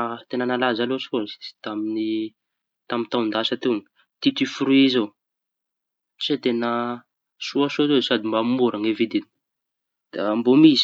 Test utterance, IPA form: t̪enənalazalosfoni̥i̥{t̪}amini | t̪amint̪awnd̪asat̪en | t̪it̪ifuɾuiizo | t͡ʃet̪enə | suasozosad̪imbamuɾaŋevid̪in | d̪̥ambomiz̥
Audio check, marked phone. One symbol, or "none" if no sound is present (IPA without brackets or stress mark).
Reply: t̪